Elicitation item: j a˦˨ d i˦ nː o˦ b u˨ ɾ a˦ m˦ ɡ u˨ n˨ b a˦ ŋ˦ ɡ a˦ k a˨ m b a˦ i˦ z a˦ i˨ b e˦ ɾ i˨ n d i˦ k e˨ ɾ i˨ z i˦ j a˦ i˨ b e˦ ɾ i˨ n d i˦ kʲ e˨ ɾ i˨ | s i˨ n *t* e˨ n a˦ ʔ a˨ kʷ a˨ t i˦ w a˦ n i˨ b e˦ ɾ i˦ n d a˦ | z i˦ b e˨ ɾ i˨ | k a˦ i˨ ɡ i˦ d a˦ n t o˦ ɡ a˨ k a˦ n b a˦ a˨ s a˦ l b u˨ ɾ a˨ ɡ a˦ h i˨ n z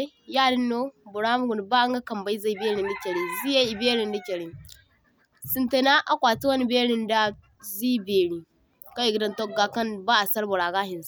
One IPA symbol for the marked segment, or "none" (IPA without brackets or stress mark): t